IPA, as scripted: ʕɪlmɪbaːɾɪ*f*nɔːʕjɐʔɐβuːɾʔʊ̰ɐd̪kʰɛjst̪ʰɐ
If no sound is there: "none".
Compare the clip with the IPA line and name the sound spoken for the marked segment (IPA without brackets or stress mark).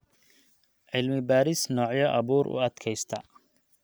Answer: s